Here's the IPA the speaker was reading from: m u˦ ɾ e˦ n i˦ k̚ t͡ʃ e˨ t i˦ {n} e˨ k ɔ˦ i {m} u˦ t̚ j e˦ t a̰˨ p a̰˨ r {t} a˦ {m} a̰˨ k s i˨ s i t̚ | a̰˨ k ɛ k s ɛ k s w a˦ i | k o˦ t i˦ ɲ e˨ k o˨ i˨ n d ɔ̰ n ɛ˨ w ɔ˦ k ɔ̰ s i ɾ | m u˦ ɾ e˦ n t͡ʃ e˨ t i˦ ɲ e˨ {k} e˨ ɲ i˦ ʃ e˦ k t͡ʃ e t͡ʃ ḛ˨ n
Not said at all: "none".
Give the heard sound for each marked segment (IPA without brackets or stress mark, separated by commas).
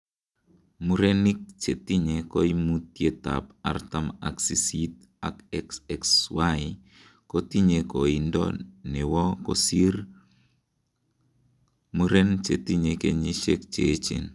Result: ɲ, m, t, m, k